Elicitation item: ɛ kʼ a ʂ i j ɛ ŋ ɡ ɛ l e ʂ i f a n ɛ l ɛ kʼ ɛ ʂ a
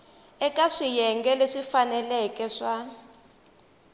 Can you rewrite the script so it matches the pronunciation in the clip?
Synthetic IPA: ɛ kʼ a ʂ i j ɛ ŋ ɡ ɛ l e ʂ i f a n ɛ l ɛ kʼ ɛ ʂ a